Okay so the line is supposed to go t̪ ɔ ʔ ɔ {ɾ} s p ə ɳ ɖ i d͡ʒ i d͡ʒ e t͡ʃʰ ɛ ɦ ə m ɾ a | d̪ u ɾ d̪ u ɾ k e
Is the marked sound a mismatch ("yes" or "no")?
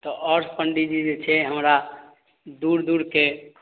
no